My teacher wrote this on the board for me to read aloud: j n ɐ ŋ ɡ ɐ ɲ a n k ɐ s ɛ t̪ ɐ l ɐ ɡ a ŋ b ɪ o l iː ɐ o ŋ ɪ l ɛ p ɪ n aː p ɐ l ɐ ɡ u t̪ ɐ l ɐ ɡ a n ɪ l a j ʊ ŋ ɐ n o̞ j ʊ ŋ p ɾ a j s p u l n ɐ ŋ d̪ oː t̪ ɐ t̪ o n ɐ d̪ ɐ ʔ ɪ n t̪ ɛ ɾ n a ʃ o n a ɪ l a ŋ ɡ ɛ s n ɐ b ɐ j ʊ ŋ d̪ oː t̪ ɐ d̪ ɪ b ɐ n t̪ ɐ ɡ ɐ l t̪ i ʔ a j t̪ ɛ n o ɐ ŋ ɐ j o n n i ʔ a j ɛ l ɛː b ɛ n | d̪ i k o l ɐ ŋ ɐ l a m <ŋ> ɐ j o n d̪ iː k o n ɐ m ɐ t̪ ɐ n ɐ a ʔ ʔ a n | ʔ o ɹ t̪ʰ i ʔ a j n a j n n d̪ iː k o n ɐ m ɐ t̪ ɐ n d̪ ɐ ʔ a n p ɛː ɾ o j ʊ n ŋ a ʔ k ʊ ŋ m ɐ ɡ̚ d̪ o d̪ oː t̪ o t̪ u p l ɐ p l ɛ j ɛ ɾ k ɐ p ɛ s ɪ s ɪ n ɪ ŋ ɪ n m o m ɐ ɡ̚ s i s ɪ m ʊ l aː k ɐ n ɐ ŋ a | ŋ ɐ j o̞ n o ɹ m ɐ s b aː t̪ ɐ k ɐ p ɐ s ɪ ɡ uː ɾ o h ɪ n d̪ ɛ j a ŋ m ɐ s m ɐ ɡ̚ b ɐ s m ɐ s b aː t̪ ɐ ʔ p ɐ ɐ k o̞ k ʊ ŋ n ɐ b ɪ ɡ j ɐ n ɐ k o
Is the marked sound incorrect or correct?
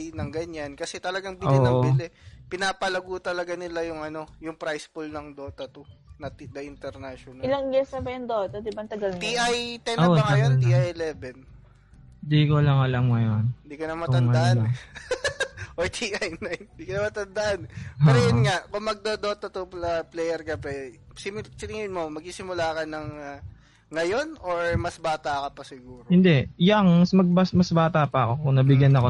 correct